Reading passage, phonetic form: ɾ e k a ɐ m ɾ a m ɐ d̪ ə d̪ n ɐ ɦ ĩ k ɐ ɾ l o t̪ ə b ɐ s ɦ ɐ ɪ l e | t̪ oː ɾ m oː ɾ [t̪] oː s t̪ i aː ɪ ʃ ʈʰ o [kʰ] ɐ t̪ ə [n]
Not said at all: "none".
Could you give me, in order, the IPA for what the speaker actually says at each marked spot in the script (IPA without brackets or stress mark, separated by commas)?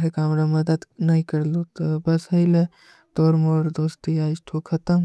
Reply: d̪, kʰ, m